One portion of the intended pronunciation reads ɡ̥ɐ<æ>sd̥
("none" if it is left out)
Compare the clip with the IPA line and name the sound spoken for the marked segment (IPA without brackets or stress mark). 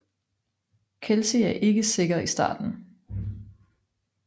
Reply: i